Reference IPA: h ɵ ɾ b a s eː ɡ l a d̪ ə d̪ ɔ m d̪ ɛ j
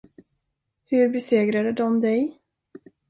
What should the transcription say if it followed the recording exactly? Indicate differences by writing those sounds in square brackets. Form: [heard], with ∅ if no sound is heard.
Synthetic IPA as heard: h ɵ ɾ b [ɛ] s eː ɡ [ɾ] a d̪ ə d̪ ɔ m d̪ ɛ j